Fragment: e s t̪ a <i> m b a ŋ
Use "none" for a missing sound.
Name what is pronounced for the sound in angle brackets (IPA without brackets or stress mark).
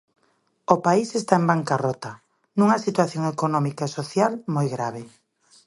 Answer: e